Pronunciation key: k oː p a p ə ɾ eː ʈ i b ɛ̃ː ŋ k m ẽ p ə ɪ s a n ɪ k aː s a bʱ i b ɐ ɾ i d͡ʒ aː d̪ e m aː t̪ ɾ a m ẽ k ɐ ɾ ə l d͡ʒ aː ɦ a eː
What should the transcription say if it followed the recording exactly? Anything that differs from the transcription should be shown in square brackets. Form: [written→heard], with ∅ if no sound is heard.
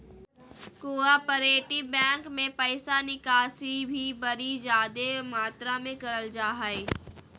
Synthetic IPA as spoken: k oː [p→∅] a p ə ɾ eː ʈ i b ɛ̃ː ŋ k m ẽ p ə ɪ s a n ɪ k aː s [a→i] bʱ i b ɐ ɾ i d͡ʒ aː d̪ e m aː t̪ ɾ a m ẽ k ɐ ɾ ə l d͡ʒ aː ɦ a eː